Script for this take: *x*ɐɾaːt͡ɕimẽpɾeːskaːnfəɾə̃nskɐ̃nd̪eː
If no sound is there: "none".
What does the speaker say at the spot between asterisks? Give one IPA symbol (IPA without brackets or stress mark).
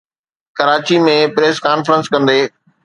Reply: k